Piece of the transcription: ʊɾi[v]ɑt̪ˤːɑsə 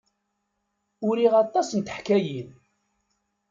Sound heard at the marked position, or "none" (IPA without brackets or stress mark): ʁ